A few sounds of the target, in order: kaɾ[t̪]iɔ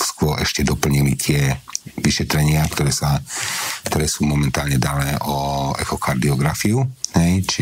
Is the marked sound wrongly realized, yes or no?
yes